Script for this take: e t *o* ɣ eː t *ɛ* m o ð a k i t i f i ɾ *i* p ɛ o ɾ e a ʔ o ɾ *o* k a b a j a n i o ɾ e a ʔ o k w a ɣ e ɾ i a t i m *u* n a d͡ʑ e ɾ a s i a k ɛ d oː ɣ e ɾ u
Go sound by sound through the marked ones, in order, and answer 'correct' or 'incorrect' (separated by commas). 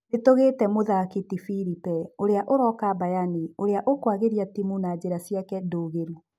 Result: correct, correct, correct, incorrect, correct